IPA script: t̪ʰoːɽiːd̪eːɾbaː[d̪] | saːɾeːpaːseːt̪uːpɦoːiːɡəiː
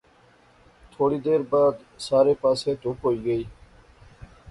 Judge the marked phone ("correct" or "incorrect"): correct